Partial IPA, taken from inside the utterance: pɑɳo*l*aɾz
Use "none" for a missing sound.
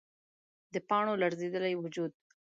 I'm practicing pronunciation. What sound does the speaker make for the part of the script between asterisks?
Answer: l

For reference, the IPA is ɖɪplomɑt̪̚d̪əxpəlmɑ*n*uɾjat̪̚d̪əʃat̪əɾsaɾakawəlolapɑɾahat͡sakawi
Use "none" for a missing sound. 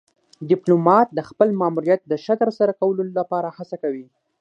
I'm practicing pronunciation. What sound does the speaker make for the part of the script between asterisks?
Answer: m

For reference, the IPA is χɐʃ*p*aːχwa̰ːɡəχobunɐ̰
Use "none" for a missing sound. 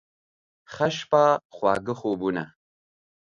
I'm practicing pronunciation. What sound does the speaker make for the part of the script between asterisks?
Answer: p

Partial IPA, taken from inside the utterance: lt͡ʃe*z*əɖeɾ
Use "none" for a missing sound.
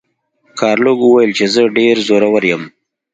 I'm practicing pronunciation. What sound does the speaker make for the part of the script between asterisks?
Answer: z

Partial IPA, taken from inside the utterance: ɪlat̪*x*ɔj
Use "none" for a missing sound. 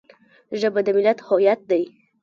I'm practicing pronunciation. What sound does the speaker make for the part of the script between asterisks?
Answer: h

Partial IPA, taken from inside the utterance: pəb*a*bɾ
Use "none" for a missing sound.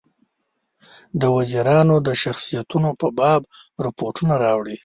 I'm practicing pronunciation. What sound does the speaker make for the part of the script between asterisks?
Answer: ɑ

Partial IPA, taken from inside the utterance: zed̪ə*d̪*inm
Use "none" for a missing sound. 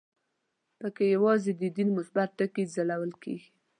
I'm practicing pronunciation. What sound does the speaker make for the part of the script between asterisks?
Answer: d̪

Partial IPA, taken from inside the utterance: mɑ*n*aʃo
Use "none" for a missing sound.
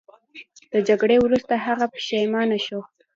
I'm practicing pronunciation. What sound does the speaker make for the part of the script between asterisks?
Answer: n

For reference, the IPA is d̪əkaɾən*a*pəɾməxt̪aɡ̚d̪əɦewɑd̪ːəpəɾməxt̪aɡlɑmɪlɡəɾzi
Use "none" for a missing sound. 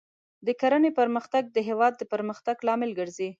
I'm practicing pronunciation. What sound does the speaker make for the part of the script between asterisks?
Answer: e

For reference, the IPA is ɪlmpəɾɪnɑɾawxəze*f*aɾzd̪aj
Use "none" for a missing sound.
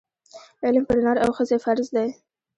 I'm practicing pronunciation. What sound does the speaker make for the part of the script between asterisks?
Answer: f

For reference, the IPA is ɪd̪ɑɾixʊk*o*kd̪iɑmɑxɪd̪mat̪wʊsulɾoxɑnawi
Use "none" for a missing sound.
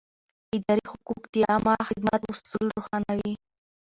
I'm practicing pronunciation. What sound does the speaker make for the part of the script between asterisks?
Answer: u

